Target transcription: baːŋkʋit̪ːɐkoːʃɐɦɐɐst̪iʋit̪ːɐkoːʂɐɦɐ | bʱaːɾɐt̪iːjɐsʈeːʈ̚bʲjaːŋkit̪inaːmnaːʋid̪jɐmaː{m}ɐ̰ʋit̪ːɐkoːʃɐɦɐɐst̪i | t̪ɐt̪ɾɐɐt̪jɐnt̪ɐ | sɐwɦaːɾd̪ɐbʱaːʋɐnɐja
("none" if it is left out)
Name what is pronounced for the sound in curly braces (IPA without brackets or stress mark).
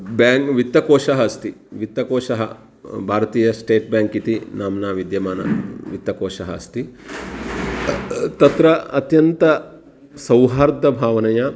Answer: n